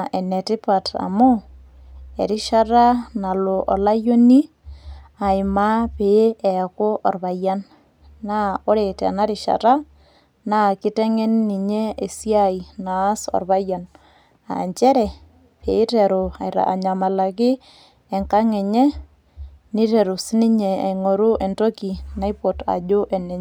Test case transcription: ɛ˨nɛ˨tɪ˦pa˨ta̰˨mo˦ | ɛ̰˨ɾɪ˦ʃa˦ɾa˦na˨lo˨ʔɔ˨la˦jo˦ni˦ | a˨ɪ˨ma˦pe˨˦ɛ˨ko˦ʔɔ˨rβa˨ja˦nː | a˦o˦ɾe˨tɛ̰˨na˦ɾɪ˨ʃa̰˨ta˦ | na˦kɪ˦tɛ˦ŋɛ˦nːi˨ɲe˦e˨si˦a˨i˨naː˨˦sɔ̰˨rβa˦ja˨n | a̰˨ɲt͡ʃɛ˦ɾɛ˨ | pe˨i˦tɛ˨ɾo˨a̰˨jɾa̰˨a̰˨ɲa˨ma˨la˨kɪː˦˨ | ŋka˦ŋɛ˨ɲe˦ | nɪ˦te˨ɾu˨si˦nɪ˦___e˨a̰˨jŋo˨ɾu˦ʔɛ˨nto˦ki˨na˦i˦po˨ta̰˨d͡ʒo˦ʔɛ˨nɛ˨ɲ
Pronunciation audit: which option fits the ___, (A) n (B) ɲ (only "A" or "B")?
B